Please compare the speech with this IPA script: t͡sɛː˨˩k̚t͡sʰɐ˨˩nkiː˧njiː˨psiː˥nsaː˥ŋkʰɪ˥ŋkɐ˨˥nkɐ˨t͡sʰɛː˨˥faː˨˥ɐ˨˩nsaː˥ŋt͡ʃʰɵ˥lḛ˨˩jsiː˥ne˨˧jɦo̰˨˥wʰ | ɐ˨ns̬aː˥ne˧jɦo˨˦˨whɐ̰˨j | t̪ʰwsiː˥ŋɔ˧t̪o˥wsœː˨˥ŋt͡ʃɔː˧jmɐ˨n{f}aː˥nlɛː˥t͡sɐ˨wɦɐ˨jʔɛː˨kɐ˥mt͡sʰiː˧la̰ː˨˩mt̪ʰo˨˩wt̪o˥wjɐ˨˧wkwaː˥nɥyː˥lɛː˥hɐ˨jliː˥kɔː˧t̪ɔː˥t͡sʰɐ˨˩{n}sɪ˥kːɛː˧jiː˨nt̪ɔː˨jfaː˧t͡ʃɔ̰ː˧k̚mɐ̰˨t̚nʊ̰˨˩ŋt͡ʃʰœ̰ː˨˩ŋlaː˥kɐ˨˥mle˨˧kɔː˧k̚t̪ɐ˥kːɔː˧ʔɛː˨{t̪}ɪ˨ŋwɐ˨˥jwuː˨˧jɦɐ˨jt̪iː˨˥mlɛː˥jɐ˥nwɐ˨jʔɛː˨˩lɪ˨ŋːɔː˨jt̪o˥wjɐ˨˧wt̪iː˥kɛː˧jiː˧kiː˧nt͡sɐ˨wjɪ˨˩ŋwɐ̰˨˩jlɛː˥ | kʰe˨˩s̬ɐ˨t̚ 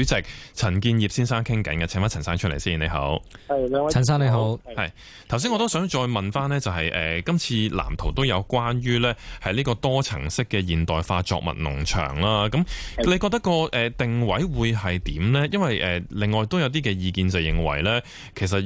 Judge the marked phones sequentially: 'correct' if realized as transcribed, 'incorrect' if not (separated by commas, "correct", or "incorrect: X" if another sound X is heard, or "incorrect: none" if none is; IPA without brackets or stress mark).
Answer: correct, incorrect: ŋ, correct